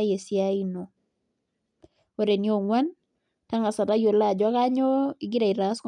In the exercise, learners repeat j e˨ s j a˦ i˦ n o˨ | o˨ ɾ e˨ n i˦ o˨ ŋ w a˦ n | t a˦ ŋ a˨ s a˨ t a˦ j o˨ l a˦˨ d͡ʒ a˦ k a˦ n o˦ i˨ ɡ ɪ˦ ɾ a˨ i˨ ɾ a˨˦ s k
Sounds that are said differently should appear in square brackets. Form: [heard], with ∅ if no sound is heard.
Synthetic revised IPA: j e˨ s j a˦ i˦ n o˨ | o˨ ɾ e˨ n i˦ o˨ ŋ w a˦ n | t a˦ ŋ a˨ s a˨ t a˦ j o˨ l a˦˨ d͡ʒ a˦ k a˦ [ɲ] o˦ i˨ ɡ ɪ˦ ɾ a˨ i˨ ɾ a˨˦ s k